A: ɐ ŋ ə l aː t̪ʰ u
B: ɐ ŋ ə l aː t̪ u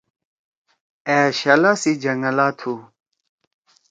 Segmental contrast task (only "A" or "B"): A